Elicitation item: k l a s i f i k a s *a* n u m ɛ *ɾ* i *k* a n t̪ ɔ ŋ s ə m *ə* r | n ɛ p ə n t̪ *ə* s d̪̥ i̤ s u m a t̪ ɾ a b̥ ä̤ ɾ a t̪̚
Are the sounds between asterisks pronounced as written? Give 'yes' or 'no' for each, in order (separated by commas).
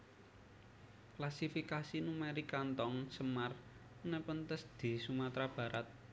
no, yes, yes, no, yes